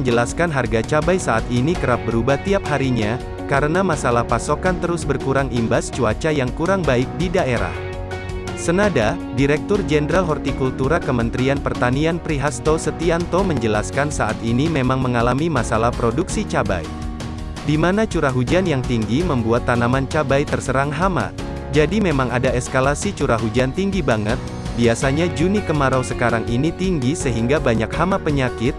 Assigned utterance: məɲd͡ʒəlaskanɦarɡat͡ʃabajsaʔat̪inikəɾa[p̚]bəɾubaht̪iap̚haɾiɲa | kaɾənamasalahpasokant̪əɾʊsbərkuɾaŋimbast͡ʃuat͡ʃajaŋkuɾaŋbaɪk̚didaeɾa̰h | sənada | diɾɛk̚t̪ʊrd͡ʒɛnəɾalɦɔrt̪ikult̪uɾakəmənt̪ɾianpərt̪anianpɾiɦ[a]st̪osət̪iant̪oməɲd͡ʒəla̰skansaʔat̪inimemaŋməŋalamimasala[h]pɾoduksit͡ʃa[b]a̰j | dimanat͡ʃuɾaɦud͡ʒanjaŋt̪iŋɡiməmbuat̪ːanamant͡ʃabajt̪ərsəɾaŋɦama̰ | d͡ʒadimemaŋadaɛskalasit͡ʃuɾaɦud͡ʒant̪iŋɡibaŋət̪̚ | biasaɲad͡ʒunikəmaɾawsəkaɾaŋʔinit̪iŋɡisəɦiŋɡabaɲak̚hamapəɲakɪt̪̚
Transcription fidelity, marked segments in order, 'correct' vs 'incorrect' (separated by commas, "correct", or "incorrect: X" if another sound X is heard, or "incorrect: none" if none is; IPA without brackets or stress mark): correct, correct, correct, correct